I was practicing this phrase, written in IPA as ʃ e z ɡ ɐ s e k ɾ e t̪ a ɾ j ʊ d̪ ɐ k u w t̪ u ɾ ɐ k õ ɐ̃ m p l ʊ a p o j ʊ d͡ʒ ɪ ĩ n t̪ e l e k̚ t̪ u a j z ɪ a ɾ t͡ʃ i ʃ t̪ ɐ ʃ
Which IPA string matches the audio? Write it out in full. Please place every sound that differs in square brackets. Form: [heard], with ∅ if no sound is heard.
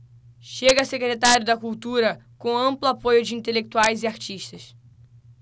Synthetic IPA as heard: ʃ e [∅] ɡ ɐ s e k ɾ e t̪ a ɾ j ʊ d̪ ɐ k u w t̪ u ɾ ɐ k õ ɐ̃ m p l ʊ a p o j ʊ d͡ʒ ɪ ĩ n t̪ e l e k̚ t̪ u a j z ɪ a ɾ t͡ʃ i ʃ t̪ ɐ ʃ